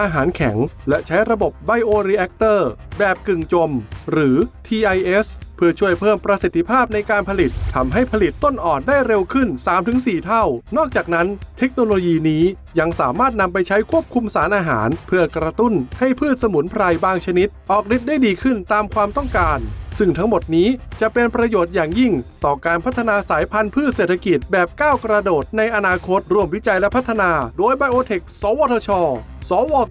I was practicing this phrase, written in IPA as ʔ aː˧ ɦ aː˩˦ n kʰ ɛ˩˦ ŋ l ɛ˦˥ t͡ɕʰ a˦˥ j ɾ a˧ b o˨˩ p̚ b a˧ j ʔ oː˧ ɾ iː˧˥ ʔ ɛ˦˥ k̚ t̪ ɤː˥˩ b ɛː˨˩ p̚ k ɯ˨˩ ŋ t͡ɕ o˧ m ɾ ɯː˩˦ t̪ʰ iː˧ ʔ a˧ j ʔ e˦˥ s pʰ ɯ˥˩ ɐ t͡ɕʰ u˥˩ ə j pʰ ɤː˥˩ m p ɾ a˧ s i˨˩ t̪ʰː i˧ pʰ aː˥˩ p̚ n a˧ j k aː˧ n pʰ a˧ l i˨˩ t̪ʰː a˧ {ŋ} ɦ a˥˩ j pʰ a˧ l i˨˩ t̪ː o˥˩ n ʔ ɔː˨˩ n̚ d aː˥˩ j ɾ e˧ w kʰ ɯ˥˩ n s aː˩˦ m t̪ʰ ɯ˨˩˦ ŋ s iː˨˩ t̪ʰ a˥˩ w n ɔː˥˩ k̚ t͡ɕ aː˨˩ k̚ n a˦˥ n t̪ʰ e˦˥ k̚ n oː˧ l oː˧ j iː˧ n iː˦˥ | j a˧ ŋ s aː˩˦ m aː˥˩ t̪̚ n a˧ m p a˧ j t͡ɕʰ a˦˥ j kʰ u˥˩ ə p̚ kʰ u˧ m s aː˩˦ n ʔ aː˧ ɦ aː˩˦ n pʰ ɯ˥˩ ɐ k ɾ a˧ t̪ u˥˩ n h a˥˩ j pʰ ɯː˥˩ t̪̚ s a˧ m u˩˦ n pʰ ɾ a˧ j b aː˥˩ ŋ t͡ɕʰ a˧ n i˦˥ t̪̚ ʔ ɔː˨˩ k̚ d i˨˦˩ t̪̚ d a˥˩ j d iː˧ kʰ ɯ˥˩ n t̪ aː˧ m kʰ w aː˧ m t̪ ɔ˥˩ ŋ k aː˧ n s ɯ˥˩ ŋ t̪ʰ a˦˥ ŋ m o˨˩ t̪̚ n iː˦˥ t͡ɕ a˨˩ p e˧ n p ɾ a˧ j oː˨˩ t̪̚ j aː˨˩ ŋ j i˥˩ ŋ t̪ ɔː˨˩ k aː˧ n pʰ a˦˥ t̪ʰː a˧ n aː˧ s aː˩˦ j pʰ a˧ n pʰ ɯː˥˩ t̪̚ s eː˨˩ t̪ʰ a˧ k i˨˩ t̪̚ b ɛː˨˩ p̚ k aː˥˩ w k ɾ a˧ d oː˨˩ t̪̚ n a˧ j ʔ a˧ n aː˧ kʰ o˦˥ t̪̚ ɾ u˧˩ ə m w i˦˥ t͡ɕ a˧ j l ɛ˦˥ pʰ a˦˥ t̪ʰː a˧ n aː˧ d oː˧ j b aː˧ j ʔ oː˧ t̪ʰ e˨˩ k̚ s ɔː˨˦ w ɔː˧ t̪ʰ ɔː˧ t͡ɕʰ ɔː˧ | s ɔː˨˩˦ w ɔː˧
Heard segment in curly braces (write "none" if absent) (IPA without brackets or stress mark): m